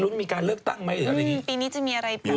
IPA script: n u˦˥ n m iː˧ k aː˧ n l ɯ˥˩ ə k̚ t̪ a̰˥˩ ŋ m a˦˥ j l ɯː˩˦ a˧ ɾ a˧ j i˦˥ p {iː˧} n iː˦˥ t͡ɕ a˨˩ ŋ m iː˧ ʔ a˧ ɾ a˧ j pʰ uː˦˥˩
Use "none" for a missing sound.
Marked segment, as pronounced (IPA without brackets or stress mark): iː˧